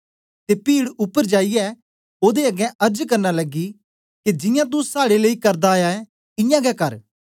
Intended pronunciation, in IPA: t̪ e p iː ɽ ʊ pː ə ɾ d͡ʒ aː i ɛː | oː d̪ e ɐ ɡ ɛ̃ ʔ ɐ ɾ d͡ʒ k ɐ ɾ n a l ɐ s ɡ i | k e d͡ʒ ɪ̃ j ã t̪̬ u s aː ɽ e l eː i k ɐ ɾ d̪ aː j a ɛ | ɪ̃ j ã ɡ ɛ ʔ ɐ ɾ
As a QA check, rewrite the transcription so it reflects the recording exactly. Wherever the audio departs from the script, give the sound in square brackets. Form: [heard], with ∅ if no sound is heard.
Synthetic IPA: t̪ e p iː ɽ ʊ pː ə ɾ d͡ʒ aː i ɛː | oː d̪ e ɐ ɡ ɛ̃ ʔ ɐ ɾ d͡ʒ k ɐ ɾ n a l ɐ [∅] ɡ i | k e d͡ʒ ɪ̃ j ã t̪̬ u s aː ɽ e l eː i k ɐ ɾ d̪ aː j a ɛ | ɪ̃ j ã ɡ ɛ [k] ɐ ɾ